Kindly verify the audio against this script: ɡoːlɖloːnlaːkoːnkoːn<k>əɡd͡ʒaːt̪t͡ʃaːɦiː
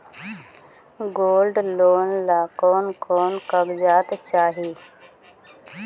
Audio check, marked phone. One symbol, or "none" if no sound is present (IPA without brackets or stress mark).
k